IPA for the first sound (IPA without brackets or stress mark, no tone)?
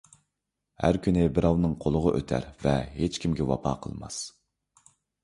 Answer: h